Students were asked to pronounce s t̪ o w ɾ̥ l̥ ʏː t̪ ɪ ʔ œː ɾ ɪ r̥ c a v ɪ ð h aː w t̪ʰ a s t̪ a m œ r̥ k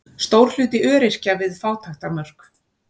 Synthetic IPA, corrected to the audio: s t̪ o w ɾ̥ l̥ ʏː t̪ ɪ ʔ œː ɾ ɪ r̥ c a v ɪ ð f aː w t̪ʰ a x t̪ a m œ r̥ k